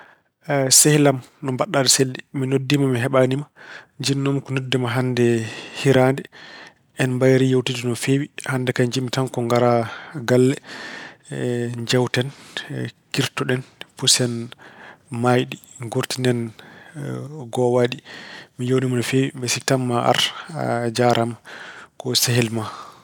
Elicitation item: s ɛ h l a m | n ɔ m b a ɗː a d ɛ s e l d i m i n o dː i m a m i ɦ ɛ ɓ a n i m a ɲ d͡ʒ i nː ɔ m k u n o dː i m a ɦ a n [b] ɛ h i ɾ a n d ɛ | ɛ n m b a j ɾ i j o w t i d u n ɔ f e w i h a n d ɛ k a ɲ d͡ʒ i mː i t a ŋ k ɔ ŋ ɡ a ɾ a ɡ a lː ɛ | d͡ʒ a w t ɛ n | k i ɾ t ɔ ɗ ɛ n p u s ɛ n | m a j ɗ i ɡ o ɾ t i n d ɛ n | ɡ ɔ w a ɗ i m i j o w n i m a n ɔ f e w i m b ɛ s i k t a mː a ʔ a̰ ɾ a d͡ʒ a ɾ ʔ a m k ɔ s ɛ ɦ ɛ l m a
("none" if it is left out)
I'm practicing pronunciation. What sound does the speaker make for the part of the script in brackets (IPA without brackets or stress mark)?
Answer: d